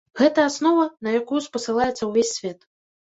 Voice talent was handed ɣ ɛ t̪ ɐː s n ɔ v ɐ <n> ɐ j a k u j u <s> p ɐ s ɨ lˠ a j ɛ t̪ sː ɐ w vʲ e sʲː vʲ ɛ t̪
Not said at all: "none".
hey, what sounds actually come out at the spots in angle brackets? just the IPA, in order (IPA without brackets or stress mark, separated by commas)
n, s